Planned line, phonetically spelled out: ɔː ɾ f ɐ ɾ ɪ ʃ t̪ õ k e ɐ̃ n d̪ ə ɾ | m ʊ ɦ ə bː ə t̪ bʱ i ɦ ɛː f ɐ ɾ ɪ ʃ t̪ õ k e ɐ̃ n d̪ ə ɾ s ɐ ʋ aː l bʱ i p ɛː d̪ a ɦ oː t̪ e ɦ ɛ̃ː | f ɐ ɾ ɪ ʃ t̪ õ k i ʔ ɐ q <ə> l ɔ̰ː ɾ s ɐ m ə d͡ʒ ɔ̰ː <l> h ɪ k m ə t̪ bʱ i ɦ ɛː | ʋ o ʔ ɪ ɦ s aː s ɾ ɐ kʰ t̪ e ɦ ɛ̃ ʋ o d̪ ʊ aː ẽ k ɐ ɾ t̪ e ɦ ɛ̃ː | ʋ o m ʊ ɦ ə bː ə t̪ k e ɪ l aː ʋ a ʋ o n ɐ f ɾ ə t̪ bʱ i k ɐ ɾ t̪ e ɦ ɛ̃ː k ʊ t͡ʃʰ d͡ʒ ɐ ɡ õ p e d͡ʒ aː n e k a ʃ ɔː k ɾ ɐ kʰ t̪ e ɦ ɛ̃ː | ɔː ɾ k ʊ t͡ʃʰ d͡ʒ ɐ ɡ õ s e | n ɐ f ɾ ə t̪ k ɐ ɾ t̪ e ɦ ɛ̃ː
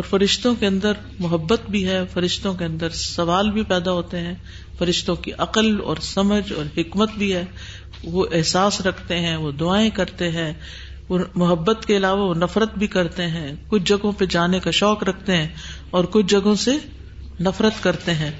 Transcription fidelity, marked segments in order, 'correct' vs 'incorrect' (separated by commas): correct, incorrect